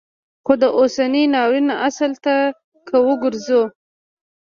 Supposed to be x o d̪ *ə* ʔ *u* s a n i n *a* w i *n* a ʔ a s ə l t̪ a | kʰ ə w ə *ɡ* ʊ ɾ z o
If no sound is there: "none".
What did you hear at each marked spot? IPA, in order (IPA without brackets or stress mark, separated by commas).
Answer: ə, o, ɑ, n, ɡ